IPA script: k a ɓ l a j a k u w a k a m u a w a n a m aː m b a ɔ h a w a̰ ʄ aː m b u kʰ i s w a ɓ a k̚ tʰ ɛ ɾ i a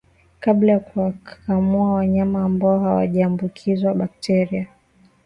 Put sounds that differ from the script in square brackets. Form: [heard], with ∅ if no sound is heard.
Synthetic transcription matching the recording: k a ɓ l a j a k u w a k a m u a w a [ɲ] a m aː m b a ɔ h a w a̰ ʄ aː m b u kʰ i [z] w a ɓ a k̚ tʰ ɛ ɾ i a